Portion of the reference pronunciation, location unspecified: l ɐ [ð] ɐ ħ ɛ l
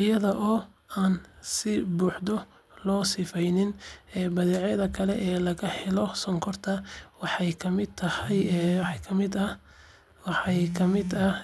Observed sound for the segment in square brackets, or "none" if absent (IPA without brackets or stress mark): ɣ